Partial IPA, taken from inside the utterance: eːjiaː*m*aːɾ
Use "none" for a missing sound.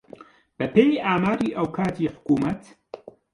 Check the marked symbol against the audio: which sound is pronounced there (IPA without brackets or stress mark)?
m